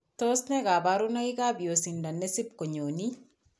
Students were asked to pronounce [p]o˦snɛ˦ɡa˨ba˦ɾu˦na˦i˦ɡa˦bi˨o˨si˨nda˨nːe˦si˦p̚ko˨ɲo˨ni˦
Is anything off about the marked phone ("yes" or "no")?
yes